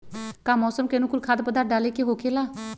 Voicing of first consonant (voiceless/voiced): voiceless